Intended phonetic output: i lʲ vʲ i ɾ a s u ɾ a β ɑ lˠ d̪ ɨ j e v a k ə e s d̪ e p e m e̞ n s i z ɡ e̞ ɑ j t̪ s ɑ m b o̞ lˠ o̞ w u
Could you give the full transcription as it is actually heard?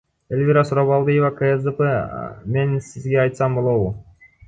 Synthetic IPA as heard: e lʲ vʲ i ɾ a s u ɾ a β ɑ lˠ d̪ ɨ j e v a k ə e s d̪ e p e m e̞ n s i z ɡ e̞ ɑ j t̪ s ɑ m b o̞ lˠ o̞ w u